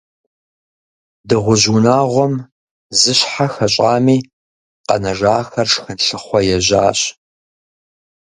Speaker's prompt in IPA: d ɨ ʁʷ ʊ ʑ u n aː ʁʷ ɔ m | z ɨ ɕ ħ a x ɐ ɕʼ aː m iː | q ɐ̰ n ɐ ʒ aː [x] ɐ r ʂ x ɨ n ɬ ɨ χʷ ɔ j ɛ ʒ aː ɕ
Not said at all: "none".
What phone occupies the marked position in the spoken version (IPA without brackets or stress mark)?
x